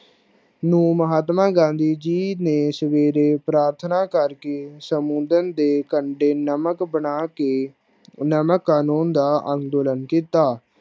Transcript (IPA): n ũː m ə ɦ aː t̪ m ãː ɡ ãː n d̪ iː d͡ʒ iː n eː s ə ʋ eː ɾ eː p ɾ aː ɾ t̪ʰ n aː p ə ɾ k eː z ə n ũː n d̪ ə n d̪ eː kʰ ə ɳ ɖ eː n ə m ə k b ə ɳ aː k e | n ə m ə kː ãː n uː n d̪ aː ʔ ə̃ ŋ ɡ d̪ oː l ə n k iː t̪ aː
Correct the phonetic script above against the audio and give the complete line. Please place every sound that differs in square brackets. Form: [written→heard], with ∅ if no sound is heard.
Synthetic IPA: n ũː m ə ɦ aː t̪ m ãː ɡ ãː n d̪ iː d͡ʒ iː n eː s ə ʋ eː ɾ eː p ɾ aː ɾ t̪ʰ n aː [p→k] ə ɾ k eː [z→s] ə [n→m] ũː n d̪ ə n d̪ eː [kʰ→k] ə ɳ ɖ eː n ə m ə k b ə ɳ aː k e | n ə m ə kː [ãː→aː] n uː n d̪ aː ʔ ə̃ ŋ ɡ d̪ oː l ə n k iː t̪ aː